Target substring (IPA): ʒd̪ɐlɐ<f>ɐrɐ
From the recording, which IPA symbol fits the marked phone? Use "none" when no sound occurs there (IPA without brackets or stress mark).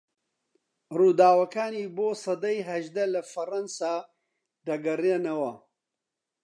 f